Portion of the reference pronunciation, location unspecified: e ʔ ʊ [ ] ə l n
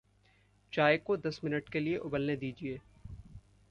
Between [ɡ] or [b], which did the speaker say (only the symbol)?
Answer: b